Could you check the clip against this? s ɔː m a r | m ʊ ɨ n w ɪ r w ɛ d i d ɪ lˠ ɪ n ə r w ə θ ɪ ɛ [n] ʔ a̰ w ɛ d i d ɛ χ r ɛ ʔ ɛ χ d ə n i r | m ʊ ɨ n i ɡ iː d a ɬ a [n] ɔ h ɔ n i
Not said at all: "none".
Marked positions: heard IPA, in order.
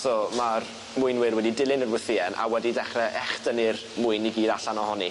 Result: n, n

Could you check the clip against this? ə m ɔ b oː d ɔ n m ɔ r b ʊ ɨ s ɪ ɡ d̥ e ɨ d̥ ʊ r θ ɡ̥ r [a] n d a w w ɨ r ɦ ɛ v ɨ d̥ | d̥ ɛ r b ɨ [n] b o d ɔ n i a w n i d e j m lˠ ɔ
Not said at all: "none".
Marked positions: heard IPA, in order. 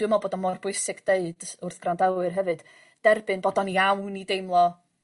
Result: a, n

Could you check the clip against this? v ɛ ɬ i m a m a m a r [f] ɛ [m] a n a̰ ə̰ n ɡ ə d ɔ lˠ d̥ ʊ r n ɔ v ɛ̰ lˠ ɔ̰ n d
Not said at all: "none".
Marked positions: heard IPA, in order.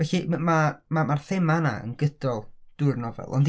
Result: θ, m

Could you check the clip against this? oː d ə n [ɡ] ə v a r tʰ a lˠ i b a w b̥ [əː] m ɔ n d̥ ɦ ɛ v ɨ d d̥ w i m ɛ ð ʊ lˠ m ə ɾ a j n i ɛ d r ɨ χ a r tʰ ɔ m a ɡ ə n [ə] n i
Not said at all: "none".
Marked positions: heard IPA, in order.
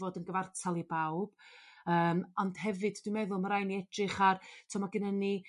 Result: ɡ, əː, ə

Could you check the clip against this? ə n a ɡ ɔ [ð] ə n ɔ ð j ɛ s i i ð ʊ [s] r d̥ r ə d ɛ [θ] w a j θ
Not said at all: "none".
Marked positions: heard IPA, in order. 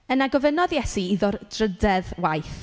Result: v, none, ð

